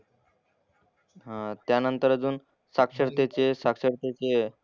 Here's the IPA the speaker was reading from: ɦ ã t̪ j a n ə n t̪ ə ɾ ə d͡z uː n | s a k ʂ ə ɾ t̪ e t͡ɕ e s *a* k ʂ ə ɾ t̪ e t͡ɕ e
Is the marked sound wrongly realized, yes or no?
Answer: no